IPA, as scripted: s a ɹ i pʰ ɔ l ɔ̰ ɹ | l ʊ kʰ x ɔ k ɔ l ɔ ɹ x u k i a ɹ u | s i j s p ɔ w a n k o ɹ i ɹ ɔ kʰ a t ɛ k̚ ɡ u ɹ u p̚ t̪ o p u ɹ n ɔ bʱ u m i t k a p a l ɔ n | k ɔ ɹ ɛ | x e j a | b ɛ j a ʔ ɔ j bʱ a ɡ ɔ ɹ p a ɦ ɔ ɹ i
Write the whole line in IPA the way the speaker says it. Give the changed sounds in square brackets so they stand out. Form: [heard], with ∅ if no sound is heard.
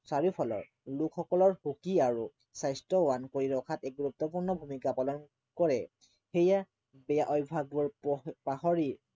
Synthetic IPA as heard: s a ɹ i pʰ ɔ l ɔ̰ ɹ | l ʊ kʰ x ɔ k ɔ l ɔ ɹ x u k i a ɹ u | s [a] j s [t] ɔ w a n k o ɹ i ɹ ɔ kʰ a t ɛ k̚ ɡ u ɹ u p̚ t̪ [ɔ] p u ɹ n ɔ bʱ u m i [∅] k a p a l ɔ n | k ɔ ɹ ɛ | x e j a | b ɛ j a ʔ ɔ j bʱ a ɡ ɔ ɹ p a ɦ ɔ ɹ i